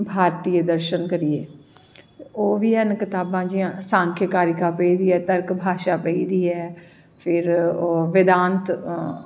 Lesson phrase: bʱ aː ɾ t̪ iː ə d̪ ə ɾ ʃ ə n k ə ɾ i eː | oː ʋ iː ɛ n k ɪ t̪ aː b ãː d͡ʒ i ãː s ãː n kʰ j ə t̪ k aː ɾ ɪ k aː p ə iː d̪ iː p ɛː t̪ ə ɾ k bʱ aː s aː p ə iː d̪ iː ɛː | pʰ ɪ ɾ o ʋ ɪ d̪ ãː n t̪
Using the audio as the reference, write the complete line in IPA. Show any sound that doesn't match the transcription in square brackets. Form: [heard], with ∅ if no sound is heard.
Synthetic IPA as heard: bʱ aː ɾ t̪ iː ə d̪ ə ɾ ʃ ə n k ə ɾ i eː | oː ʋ iː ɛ n k ɪ t̪ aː b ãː d͡ʒ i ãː s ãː [ŋ] kʰ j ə [∅] k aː ɾ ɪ k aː p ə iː d̪ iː [∅] ɛː t̪ ə ɾ k bʱ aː [ʃ] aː p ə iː d̪ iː ɛː | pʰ ɪ ɾ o ʋ ɪ d̪ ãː n t̪

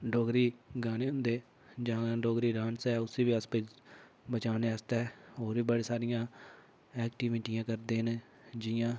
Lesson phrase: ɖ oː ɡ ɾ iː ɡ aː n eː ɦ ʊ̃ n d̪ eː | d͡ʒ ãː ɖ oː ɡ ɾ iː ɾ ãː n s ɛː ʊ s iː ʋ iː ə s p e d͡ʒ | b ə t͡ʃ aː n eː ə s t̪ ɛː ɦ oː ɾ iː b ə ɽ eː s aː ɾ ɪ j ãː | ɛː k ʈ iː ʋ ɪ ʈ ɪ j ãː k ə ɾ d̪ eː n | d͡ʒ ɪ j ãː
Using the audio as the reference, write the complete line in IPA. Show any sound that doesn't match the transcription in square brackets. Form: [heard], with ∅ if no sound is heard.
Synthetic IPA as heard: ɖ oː ɡ ɾ iː ɡ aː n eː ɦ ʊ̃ n d̪ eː | d͡ʒ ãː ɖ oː ɡ ɾ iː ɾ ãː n s ɛː ʊ s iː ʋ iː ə s p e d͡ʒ | b ə t͡ʃ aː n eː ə s t̪ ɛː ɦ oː ɾ iː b ə ɽ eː s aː ɾ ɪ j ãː | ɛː k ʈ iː ʋ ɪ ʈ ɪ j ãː k ə ɾ d̪ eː n | d͡ʒ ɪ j ãː

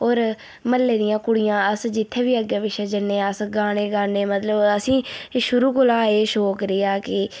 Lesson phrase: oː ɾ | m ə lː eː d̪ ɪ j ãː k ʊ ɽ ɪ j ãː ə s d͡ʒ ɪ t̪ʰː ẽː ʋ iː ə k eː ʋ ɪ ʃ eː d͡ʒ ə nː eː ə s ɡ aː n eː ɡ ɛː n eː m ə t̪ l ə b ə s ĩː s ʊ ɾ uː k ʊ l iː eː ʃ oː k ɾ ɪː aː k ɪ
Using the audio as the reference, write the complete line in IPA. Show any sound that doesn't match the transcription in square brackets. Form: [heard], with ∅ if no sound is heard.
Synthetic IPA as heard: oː ɾ | m ə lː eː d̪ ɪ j ãː k ʊ ɽ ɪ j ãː ə s d͡ʒ ɪ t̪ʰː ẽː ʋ iː ə [ɡ] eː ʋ ɪ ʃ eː d͡ʒ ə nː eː ə s ɡ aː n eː ɡ [aː] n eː m ə t̪ l ə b ə s ĩː [ʃ] ʊ ɾ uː k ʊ l [aː] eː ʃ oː k ɾ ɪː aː k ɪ

